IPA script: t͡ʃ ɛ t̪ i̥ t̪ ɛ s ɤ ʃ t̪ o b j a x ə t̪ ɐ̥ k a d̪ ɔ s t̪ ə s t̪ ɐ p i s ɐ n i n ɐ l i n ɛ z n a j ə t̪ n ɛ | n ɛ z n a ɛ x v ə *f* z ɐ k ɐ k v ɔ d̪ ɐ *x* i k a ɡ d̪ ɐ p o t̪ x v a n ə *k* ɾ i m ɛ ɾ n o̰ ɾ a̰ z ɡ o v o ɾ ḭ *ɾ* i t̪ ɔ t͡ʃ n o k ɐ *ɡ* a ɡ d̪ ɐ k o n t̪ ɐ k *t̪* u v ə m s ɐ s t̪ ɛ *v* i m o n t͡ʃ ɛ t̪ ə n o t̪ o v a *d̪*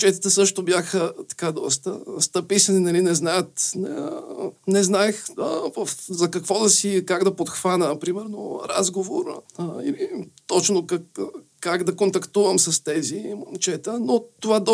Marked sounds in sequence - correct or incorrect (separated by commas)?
correct, incorrect, incorrect, incorrect, incorrect, correct, incorrect, correct